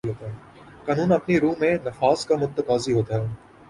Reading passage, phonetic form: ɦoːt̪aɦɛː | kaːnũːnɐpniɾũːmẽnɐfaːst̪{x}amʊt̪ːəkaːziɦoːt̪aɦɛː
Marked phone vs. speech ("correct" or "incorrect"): incorrect